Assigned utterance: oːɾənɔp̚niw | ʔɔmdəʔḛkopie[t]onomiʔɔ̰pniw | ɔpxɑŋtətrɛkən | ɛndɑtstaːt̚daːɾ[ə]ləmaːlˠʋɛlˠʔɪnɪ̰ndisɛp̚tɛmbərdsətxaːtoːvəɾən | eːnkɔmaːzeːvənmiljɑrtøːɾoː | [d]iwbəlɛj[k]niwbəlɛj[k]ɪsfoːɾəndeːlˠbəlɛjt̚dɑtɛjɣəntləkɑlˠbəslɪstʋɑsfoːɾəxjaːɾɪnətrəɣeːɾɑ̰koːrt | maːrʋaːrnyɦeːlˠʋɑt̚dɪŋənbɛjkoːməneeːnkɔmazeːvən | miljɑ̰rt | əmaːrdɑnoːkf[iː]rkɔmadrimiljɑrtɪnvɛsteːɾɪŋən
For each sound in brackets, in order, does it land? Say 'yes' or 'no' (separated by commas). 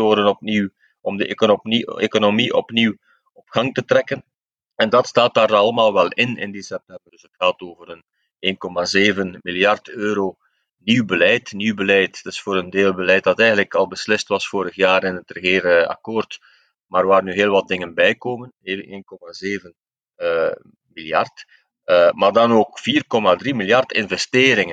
no, no, no, no, no, yes